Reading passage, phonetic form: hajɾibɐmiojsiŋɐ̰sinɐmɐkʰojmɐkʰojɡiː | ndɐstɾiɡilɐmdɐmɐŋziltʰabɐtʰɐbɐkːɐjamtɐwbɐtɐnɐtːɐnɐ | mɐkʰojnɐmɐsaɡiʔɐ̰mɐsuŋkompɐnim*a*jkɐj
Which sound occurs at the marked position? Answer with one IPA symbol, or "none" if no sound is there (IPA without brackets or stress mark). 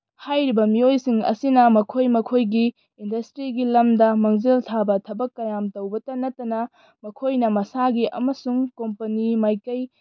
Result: a